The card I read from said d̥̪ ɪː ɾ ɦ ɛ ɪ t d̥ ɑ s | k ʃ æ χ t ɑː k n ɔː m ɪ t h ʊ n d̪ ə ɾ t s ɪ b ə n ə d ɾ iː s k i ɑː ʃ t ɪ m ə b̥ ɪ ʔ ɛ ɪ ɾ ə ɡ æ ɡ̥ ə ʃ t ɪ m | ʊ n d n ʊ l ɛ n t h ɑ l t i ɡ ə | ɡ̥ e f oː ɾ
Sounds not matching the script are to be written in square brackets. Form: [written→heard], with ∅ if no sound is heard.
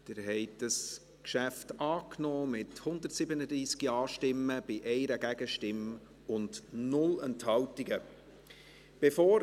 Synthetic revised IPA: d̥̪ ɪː ɾ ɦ ɛ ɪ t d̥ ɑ s | k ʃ æ [χ→f] t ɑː k n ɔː m ɪ t h ʊ n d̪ ə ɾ t s ɪ b ə n ə d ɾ iː s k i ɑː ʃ t ɪ m ə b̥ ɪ ʔ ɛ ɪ ɾ ə ɡ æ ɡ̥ ə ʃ t ɪ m | ʊ n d n ʊ l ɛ n t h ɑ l t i ɡ ə | [ɡ̥→b̥] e f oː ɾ